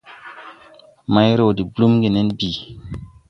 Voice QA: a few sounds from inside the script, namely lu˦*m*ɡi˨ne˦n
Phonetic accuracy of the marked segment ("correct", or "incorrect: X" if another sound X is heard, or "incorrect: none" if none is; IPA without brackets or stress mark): correct